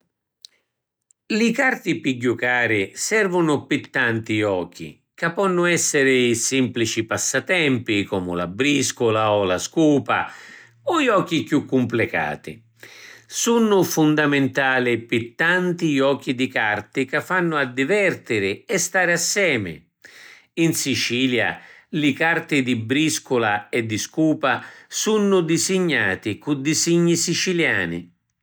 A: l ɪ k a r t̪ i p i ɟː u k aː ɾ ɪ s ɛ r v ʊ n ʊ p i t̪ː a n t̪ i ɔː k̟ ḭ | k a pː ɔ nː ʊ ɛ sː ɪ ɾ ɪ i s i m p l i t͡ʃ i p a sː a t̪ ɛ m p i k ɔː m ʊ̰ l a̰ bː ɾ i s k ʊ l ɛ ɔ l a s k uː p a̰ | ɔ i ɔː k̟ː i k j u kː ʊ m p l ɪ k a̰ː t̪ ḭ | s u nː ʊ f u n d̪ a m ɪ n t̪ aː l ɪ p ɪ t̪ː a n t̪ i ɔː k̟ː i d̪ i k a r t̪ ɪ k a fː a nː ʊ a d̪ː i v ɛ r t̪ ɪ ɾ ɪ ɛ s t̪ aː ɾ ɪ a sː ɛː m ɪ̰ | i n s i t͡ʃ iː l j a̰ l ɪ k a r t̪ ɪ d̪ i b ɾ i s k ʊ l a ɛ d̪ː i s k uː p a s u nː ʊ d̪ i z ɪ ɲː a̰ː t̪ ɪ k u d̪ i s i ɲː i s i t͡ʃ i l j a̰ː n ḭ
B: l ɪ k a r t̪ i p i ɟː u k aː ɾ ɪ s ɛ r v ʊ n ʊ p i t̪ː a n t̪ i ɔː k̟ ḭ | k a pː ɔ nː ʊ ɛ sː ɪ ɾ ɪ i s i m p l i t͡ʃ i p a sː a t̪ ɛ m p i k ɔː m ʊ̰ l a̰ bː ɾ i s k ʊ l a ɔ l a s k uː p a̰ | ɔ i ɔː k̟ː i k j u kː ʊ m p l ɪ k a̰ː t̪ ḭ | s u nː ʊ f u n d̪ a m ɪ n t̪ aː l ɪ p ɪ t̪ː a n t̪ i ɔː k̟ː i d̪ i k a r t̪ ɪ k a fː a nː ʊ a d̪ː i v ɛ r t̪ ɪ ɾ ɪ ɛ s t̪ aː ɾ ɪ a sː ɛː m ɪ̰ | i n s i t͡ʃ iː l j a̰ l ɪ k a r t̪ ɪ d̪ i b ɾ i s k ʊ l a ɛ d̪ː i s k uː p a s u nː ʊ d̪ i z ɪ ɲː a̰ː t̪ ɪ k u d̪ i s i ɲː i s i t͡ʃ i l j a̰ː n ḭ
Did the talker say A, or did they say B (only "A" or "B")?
B